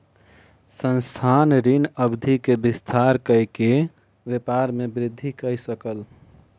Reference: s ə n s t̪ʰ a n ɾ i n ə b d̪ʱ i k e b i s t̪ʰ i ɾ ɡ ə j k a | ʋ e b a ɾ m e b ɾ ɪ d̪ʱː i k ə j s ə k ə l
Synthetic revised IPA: s ə n s t̪ʰ a n ɾ i n ə b d̪ʱ i k e b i s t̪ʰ a ɾ k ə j k e | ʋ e p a ɾ m e b ɾ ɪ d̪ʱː i k ə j s ə k ə l